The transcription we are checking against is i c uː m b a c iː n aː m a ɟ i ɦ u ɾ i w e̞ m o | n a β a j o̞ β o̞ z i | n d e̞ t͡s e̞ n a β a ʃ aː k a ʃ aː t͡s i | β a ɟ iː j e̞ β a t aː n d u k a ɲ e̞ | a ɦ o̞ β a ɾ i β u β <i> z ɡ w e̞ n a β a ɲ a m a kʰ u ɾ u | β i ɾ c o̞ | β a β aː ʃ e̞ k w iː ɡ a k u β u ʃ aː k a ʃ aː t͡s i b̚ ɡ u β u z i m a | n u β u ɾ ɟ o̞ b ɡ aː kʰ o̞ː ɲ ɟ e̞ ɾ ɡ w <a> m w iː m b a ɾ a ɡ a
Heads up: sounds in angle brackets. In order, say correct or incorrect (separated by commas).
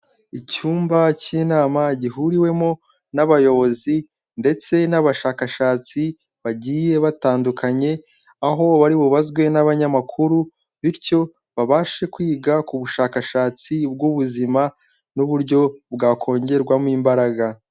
incorrect, correct